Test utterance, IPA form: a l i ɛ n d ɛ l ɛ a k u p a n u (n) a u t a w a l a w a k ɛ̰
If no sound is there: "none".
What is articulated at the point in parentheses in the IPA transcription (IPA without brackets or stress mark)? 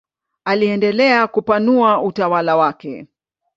none